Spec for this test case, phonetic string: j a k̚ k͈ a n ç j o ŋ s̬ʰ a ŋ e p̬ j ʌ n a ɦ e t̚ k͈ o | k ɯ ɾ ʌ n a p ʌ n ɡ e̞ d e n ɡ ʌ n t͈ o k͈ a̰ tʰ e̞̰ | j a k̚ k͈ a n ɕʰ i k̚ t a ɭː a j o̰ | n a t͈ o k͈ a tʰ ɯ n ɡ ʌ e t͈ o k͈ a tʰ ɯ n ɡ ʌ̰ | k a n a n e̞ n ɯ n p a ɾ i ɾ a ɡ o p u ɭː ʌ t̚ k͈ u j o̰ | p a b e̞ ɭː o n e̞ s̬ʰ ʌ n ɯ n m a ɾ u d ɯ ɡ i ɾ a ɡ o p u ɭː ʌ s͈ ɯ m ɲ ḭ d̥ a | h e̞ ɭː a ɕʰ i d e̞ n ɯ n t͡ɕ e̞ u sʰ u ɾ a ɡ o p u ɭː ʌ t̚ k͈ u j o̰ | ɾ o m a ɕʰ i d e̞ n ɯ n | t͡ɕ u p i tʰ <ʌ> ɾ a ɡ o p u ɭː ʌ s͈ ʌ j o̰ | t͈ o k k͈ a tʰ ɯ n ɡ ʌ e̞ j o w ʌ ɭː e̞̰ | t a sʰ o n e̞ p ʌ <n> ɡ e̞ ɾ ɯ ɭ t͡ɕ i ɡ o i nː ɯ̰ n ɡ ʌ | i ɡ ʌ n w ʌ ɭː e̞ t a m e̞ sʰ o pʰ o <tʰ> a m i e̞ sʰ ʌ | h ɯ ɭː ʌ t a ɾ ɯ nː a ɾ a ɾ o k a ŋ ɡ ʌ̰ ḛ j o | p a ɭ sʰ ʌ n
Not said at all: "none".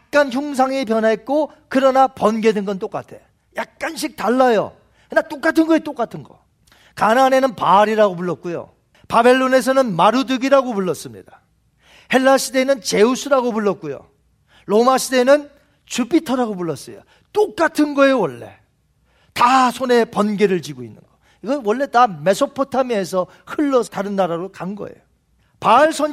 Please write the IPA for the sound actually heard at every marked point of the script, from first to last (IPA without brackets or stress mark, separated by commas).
ʌ, n, tʰ